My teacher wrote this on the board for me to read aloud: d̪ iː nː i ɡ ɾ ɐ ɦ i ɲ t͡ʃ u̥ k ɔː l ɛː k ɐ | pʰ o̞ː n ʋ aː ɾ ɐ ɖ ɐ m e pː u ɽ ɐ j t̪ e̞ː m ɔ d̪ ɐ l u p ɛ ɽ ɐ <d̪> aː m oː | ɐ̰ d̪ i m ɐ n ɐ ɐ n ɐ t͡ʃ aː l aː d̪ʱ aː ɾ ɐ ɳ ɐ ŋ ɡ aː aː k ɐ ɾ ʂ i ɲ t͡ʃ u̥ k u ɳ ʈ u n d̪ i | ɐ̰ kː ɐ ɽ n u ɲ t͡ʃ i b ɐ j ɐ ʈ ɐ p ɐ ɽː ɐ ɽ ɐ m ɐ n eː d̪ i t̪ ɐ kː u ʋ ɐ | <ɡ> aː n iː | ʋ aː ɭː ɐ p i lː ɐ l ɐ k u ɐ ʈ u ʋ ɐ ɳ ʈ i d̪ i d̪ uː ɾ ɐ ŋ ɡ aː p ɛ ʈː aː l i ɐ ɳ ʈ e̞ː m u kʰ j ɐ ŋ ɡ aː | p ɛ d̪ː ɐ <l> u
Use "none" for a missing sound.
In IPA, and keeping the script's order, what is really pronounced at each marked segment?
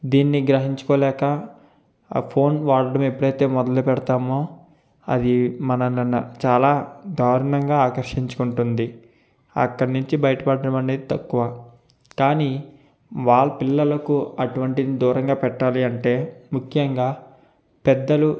t̪, k, l

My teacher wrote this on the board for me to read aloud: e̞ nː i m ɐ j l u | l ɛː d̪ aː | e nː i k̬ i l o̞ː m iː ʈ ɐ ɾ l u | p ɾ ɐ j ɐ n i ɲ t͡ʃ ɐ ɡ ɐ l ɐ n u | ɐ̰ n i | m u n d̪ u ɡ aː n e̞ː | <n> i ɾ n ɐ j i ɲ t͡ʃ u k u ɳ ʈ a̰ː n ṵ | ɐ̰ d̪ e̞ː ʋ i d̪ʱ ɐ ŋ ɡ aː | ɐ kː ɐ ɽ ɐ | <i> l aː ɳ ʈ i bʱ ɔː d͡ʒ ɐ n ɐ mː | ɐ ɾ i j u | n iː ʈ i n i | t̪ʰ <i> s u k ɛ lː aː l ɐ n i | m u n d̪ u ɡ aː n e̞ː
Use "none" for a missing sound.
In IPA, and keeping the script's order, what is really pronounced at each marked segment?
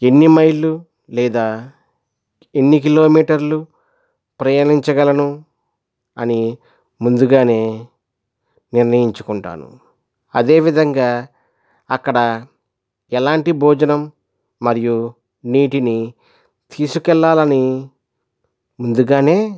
n, ɛ, iː

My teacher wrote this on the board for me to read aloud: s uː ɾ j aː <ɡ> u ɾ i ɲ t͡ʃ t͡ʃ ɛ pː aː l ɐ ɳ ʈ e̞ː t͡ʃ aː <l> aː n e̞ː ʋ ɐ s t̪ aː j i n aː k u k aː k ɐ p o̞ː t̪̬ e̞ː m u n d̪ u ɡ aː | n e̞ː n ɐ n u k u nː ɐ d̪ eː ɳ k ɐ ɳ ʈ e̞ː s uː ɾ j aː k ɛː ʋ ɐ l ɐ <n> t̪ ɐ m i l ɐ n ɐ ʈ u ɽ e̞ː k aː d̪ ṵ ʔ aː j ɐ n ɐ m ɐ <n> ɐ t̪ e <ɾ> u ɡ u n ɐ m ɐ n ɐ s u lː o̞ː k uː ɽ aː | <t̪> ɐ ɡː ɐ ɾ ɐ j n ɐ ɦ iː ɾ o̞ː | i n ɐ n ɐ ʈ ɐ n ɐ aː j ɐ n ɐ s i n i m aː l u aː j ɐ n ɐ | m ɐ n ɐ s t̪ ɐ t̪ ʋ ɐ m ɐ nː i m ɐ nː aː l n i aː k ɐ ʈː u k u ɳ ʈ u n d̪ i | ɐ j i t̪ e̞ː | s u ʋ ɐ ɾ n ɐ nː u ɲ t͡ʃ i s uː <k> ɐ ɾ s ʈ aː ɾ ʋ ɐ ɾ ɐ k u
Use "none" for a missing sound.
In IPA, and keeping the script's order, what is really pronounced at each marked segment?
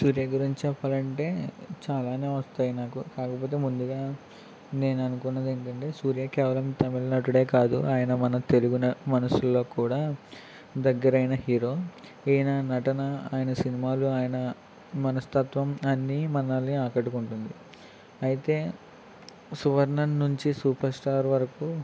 ɡ, l, m, n, l, d̪, p

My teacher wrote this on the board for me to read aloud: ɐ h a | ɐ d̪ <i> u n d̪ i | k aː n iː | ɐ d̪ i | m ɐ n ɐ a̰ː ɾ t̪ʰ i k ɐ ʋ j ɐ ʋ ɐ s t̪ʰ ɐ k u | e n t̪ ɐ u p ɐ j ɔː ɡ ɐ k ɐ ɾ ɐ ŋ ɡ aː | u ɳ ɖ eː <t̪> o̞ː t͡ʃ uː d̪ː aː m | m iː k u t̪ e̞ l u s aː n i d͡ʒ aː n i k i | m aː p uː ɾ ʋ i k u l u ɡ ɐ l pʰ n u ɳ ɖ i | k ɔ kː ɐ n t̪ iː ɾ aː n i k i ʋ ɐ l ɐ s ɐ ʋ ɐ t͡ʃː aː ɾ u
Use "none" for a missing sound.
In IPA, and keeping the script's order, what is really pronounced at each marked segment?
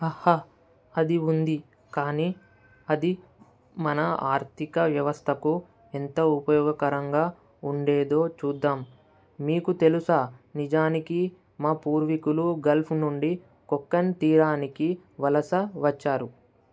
i, d̪

